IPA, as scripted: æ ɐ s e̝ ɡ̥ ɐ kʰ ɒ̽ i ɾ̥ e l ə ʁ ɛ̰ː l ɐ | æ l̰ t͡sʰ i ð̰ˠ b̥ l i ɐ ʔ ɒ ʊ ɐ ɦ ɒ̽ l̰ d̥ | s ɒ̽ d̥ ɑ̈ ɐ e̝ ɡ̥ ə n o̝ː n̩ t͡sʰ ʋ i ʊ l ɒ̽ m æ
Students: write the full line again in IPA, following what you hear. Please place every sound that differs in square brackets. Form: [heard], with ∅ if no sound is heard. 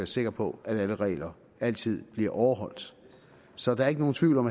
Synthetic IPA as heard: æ ɐ s e̝ ɡ̥ ɐ [pʰ] ɒ̽ [æ] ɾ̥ [æ] l ə ʁ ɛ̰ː l ɐ | æ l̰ t͡sʰ i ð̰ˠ b̥ l i ɐ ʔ ɒ ʊ ɐ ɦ ɒ̽ l̰ d̥ | s ɒ̽ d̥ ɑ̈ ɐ e̝ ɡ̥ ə n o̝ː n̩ t͡sʰ ʋ i ʊ l ɒ̽ m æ